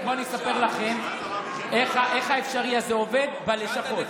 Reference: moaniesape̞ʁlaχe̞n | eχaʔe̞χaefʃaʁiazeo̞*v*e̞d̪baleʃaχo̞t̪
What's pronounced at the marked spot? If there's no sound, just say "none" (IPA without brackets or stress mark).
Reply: v